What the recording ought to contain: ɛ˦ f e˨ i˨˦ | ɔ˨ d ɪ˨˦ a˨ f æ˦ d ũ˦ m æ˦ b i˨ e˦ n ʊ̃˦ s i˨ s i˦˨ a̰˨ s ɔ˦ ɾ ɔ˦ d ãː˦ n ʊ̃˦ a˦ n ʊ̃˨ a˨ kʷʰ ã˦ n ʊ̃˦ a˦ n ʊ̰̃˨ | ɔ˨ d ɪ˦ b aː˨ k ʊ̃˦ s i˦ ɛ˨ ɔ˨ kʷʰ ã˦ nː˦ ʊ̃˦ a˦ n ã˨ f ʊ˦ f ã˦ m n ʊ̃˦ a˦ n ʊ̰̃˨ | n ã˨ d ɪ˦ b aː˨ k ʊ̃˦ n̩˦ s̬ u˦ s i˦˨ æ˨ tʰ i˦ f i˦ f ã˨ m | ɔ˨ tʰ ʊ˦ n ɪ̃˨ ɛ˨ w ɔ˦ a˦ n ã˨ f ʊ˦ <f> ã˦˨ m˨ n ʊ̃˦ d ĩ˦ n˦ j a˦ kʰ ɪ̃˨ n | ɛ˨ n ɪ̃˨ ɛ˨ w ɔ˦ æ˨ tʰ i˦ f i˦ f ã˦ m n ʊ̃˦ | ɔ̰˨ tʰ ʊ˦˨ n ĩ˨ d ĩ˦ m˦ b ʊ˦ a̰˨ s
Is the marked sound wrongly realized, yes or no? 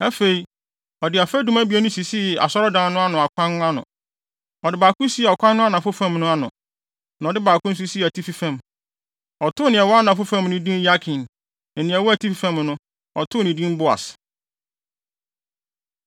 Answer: no